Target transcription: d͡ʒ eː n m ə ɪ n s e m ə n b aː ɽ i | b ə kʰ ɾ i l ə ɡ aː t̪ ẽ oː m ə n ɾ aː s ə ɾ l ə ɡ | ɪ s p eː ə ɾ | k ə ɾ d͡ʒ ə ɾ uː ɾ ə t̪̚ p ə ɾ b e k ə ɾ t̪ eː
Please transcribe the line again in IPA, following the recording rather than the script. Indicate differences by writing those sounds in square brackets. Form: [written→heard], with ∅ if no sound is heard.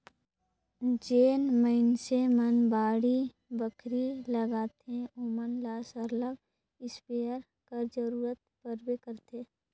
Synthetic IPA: d͡ʒ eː n m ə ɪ n s e m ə n b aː ɽ i | b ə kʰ ɾ i l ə ɡ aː t̪ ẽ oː m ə n [ɾ→l] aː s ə ɾ l ə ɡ | ɪ s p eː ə ɾ | k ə ɾ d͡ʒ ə ɾ uː ɾ ə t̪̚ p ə ɾ b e k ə ɾ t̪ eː